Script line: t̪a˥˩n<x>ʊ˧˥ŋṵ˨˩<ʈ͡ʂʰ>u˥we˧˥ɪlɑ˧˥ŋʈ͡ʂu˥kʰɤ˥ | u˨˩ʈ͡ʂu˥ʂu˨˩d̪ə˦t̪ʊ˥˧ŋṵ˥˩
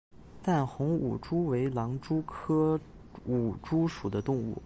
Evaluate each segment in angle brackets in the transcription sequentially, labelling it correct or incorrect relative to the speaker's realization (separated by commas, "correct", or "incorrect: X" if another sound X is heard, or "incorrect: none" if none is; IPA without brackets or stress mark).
correct, incorrect: ʈ͡ʂ